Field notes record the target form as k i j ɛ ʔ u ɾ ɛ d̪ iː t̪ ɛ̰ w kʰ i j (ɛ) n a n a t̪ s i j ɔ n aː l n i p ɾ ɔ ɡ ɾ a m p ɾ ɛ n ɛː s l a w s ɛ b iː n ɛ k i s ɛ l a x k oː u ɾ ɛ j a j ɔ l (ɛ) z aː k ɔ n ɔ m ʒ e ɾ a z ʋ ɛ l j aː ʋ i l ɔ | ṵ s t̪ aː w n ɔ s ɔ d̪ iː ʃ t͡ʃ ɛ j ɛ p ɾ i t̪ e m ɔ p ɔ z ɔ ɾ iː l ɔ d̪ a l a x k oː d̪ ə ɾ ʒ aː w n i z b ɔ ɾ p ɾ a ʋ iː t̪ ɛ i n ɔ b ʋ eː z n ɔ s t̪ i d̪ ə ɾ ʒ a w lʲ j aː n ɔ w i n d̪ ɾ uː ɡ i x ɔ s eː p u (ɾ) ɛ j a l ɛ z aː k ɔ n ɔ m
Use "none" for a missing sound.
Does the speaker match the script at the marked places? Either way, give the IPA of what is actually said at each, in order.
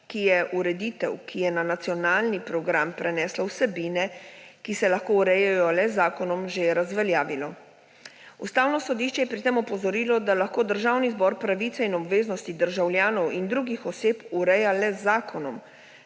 ɛ, ɛ, ɾ

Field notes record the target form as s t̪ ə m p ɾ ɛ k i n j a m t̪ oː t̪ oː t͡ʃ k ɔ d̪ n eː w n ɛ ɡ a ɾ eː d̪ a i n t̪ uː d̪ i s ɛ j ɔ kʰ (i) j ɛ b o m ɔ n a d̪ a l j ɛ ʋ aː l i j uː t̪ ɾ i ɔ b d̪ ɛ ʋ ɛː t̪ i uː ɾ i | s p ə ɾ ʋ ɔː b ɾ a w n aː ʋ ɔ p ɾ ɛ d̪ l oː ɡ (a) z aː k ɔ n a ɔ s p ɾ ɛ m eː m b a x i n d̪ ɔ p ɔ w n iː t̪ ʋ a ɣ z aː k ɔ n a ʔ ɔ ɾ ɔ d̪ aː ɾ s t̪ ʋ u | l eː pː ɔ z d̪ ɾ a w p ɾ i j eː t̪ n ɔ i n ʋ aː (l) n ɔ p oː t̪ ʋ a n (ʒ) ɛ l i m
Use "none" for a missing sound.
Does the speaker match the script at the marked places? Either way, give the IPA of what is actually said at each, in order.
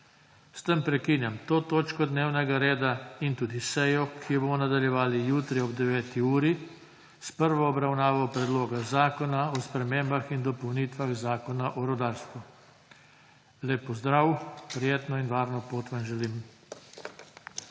i, a, ɾ, ʒ

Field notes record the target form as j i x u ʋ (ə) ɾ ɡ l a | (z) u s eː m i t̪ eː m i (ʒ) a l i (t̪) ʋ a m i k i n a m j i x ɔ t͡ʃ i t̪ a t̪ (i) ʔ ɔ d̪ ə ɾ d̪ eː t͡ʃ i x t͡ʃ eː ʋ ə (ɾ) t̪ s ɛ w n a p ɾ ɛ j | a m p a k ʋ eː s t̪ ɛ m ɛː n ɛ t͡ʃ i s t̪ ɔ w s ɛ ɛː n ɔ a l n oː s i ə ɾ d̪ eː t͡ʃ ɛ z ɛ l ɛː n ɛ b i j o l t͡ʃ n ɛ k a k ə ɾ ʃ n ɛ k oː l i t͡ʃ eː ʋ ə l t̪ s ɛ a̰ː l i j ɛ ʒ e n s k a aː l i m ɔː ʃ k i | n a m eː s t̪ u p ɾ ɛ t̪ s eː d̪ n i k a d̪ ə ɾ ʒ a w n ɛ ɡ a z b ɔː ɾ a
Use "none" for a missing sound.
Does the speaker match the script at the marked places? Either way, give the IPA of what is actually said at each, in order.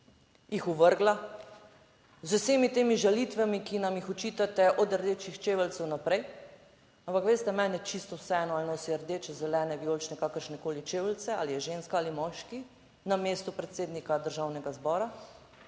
ə, z, ʒ, t̪, ɛ, l

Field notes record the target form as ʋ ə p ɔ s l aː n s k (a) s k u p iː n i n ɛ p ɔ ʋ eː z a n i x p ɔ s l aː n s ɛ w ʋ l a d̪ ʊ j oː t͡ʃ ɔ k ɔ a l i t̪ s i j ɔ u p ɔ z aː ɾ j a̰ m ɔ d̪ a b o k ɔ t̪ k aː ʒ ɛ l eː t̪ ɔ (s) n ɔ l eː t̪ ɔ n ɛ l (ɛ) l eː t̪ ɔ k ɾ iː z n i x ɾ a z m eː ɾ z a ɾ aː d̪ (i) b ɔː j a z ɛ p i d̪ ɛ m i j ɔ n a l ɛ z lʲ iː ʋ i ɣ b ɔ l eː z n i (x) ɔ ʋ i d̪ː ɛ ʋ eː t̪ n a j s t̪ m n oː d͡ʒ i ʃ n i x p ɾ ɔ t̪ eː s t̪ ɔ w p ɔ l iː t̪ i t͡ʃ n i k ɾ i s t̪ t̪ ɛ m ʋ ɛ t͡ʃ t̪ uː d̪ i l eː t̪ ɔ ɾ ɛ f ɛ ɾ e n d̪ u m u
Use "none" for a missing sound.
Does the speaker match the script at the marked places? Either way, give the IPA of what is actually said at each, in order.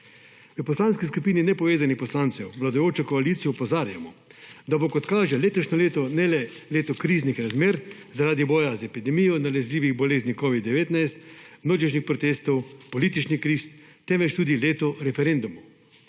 i, ʃ, ɛ, i, k

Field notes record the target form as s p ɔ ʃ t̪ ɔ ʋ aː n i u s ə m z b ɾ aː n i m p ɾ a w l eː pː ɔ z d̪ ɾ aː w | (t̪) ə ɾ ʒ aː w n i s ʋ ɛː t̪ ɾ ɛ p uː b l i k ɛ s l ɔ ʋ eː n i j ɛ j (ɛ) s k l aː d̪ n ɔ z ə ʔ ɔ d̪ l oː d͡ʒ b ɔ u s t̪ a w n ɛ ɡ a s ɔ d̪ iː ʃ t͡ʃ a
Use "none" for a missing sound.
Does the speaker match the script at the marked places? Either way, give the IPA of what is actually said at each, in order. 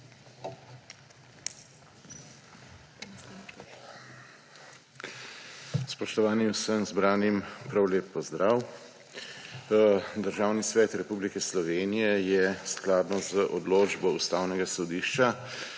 d̪, ɛ

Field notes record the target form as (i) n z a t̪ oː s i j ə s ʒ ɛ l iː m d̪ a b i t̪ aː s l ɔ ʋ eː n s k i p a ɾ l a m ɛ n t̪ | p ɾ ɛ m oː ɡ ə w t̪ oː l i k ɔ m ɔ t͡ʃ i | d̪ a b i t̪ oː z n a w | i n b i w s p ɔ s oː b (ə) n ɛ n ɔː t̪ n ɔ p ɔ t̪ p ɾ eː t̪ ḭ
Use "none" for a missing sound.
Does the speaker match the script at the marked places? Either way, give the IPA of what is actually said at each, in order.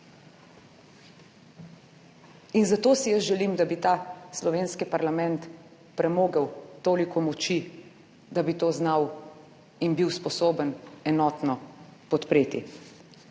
i, ə

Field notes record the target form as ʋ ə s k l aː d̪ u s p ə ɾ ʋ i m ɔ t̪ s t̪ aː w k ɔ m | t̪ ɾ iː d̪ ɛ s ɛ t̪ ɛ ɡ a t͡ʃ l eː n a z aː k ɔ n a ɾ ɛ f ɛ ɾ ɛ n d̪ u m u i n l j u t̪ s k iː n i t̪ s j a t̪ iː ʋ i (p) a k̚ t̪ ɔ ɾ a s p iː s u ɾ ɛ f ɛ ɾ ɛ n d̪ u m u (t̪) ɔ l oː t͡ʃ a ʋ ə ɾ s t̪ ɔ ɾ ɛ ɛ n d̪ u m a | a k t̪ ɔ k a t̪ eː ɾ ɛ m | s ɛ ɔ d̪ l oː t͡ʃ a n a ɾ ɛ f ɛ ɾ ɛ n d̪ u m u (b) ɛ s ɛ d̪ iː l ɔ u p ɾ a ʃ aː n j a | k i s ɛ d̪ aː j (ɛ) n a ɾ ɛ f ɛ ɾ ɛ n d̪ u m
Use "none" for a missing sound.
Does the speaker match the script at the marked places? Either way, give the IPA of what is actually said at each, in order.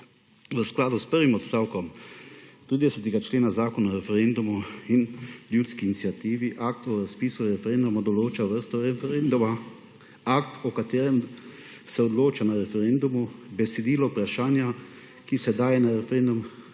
ʔ, d̪, b, ɛ

